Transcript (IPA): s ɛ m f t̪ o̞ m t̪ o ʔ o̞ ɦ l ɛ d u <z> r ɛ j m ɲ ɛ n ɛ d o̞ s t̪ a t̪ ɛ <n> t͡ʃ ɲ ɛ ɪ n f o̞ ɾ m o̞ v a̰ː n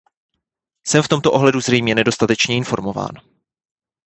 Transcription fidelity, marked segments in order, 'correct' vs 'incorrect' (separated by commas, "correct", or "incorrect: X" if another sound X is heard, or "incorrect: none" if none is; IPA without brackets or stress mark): correct, incorrect: none